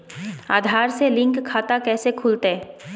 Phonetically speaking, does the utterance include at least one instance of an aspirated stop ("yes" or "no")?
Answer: yes